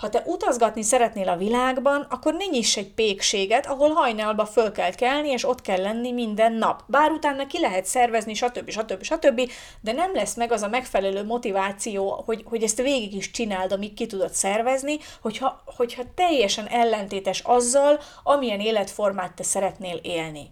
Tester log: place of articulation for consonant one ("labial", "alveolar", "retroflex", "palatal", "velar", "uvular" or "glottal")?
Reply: glottal